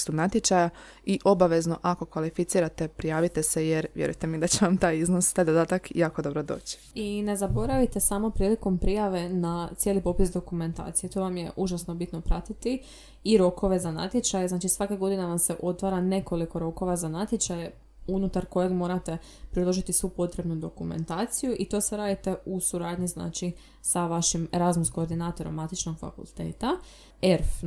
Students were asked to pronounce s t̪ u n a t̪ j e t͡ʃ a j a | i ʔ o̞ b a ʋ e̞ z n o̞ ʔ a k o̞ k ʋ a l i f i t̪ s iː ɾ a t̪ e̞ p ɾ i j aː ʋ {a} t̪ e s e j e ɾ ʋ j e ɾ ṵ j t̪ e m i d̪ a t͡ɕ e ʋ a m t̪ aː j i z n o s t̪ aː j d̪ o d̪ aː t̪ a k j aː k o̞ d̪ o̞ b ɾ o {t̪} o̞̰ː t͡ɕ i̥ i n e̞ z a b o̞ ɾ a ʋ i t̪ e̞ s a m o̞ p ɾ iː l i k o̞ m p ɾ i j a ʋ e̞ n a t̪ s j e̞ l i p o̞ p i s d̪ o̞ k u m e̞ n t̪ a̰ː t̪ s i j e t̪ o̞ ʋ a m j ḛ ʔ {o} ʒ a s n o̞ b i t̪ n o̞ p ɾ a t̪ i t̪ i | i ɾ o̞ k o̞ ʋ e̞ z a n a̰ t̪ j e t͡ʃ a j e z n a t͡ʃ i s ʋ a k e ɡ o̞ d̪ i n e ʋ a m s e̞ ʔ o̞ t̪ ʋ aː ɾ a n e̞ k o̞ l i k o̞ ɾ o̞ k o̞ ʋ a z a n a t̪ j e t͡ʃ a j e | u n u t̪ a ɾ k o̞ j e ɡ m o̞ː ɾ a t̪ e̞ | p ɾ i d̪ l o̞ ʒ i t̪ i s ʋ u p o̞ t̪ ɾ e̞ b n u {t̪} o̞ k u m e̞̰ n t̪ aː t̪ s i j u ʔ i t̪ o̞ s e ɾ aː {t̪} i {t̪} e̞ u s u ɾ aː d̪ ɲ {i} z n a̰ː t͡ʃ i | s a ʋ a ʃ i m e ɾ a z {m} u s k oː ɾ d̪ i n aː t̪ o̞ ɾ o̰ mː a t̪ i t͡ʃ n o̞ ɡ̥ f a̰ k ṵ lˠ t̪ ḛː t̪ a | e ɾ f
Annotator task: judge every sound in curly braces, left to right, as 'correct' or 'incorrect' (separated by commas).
incorrect, incorrect, incorrect, incorrect, incorrect, correct, correct, correct